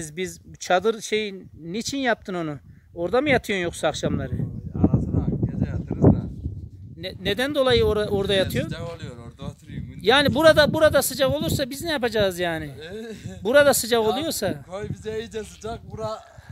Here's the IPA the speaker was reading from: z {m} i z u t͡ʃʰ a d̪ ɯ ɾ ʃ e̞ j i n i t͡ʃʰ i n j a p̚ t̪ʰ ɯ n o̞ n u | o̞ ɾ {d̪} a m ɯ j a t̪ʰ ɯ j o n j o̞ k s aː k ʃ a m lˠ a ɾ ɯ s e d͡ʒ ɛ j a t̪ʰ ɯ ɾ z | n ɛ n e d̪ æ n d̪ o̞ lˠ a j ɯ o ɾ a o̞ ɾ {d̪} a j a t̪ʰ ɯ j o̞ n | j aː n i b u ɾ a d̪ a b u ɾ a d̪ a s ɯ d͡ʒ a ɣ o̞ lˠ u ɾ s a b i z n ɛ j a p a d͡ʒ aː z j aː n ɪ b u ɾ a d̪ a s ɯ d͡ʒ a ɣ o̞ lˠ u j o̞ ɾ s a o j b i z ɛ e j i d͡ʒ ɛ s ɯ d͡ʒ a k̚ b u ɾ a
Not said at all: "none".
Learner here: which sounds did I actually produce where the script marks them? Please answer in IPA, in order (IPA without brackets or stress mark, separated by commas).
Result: b, d̪, d̪